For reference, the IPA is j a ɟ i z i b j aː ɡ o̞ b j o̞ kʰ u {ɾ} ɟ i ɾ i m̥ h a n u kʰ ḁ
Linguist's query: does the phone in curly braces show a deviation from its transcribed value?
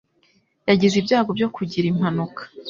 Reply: yes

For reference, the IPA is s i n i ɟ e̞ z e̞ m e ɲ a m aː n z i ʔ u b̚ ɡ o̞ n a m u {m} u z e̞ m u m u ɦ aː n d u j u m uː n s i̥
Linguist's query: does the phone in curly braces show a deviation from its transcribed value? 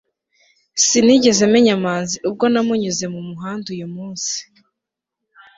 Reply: yes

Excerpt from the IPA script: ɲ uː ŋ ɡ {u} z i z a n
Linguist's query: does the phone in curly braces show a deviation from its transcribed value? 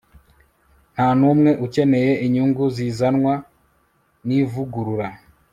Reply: no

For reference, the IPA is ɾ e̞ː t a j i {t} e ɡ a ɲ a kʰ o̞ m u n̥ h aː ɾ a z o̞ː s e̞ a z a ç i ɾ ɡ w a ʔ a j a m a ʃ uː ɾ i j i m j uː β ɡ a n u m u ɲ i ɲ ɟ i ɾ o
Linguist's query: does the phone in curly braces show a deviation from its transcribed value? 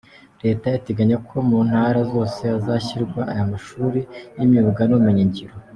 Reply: no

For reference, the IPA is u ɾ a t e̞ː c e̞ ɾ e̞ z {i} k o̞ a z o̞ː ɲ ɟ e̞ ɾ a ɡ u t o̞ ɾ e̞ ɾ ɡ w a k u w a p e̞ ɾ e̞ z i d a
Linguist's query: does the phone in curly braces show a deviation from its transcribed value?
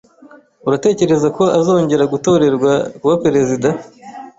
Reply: yes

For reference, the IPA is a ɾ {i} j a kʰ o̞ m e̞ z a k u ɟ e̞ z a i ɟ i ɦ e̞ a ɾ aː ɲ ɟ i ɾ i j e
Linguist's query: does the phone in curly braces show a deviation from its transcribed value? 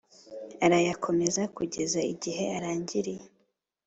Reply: yes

